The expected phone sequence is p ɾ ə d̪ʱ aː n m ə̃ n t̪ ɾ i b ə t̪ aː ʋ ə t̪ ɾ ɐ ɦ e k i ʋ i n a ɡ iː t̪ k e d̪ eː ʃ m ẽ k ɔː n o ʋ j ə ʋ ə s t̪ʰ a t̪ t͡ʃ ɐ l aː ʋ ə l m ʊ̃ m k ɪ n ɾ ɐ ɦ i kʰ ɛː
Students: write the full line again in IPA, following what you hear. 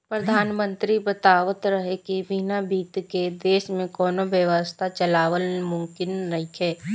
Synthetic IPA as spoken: p ɾ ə d̪ʱ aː n m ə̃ n t̪ ɾ i b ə t̪ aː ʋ ə t̪ ɾ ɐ ɦ e k i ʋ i n a b iː t̪ k e d̪ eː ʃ m ẽ k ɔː n o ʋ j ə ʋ ə s t̪ʰ a t͡ʃ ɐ l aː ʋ ə l m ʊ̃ m k ɪ n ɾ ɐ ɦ i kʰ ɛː